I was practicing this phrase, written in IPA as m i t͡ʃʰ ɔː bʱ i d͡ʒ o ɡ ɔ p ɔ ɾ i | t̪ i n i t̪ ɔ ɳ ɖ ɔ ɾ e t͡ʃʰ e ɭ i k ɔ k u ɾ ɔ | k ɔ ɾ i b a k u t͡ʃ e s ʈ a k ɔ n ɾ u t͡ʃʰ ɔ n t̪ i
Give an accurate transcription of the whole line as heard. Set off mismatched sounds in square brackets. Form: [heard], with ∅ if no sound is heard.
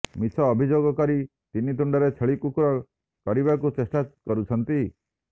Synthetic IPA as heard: m i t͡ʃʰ ɔː bʱ i d͡ʒ o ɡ ɔ [k] ɔ ɾ i | t̪ i n i t̪ [u] ɳ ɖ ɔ ɾ e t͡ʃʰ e ɭ i k [u] k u ɾ ɔ | k ɔ ɾ i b a k u t͡ʃ e s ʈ a k ɔ [∅] ɾ u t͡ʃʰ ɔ n t̪ i